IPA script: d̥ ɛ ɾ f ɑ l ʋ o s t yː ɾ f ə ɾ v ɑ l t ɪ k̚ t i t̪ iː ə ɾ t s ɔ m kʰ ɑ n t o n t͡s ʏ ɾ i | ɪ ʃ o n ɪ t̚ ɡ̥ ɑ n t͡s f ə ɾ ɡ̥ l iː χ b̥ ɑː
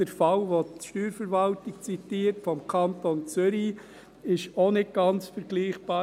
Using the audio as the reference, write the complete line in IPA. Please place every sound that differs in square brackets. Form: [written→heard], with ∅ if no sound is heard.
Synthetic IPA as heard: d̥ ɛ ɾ f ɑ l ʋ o [s→ʃ] t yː ɾ f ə ɾ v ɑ l t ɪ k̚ [t→t͡s] i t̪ iː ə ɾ t [s→f] ɔ m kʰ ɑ n t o n t͡s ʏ ɾ i | ɪ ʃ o n ɪ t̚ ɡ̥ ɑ n t͡s f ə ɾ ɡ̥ l iː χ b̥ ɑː

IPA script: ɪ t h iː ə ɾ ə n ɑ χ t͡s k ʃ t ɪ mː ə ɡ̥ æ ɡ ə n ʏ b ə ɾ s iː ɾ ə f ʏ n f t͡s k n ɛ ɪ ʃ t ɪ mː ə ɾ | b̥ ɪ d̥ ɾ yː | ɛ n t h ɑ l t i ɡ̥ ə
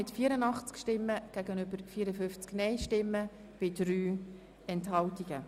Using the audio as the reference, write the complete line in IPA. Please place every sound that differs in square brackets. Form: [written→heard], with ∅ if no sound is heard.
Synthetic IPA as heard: ɪ t [h→f] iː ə ɾ ə n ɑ χ t͡s k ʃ t ɪ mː ə ɡ̥ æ ɡ ə n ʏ b ə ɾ [s→f] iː ɾ ə f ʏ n f t͡s k n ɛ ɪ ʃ t ɪ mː ə [ɾ→∅] | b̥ ɪ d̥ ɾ yː | ɛ n t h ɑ l t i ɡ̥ ə

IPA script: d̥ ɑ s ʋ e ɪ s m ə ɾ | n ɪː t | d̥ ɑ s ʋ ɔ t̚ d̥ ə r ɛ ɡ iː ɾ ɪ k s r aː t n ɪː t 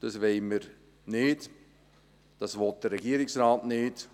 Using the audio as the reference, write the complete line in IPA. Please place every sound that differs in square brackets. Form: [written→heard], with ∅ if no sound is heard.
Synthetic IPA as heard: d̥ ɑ s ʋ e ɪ [s→∅] m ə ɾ | n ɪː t | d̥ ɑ s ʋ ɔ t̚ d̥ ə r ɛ ɡ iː ɾ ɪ k s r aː t n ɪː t

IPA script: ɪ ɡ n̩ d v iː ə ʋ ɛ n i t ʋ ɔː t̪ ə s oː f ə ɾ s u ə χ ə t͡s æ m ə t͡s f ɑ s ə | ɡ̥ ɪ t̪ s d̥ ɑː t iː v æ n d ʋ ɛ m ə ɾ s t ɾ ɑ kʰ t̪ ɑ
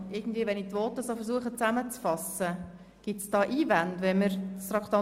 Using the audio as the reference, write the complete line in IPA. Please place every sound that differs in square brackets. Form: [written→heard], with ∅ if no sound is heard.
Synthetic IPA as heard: ɪ ɡ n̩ d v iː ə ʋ ɛ n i t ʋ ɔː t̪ ə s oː f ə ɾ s u ə χ ə t͡s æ m ə t͡s f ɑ s ə | ɡ̥ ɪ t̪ s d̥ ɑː [t→ʔ] iː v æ n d ʋ ɛ m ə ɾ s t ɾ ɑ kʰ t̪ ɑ

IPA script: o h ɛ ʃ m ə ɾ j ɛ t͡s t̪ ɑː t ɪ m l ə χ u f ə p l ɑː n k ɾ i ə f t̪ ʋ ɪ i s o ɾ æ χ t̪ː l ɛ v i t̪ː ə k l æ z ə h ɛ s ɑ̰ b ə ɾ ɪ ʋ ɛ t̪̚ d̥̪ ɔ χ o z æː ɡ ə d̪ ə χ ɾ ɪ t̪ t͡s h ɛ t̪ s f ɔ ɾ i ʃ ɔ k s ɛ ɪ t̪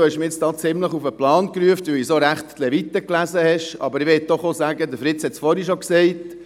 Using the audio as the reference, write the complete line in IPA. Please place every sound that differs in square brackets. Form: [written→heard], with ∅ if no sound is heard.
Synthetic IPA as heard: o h ɛ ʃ m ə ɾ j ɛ t͡s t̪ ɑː [t→t͡s] ɪ m l ə χ u f ə p l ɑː n k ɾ [i→y] ə f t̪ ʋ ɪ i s o ɾ æ χ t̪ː l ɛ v i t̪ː ə k l æ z ə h ɛ [s→ʃ] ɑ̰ b ə ɾ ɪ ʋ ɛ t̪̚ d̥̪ ɔ χ o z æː ɡ ə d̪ ə [χ→f] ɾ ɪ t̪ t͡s h ɛ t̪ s f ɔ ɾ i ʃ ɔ k s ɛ ɪ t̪

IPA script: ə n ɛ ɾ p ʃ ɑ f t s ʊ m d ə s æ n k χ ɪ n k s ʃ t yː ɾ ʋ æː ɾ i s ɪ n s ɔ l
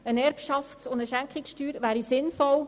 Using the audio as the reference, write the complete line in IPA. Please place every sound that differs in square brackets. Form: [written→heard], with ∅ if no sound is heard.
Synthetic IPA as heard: ə n ɛ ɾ p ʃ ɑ f t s ʊ [m→n] d ə [s→ʃ] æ [n→ŋ] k χ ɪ [n→∅] k s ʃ t yː ɾ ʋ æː ɾ i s ɪ n [s→f] ɔ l

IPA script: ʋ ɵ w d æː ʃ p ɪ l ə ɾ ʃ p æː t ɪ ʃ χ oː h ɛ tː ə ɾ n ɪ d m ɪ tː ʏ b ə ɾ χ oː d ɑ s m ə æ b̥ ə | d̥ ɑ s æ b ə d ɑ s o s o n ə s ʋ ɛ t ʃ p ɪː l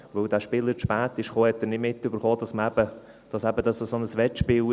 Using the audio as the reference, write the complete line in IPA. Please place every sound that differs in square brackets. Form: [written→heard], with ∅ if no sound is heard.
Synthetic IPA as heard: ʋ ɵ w d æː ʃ p ɪ l ə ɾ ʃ p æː t ɪ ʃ χ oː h ɛ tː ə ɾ n ɪ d m ɪ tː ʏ b ə ɾ χ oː d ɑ s m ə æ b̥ ə | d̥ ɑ s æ b ə d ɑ s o s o n ə s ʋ ɛ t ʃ p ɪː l

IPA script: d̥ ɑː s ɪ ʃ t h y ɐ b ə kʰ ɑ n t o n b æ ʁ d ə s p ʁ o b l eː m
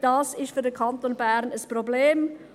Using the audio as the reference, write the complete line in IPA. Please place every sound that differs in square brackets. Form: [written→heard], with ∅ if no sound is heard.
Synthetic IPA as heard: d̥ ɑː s ɪ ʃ t [h→f] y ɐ [b→d] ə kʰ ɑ n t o n b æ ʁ [d→n] ə s p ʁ o b l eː m

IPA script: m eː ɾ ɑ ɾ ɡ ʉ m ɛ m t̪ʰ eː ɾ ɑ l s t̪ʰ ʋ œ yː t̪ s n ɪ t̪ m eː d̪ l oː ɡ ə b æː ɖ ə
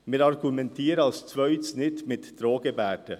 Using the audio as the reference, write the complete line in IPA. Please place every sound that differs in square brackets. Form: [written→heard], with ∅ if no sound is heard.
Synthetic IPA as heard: m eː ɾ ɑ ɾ ɡ ʉ m ɛ [m→n] t̪ʰ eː ɾ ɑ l s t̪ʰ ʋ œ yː t̪ s n ɪ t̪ m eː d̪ [l→ɾ] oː ɡ ə b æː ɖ ə

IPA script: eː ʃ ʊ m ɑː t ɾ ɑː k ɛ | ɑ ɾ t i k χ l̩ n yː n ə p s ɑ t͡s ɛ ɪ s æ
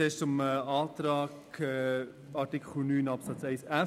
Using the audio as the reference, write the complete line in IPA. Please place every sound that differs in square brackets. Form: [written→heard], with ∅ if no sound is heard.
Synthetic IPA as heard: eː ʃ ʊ m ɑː t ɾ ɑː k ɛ | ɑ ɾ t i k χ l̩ n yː n [ə→ɑ] p s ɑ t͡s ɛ ɪ s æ

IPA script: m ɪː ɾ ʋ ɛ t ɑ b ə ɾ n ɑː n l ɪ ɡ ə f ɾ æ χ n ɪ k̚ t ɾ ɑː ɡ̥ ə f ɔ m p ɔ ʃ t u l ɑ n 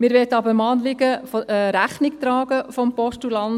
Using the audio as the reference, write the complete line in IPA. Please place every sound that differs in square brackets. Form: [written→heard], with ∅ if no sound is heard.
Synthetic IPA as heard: m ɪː ɾ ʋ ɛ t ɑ b ə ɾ [n→m] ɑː n l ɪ ɡ ə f ɾ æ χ n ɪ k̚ t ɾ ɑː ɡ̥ ə f ɔ m p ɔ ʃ t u l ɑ n

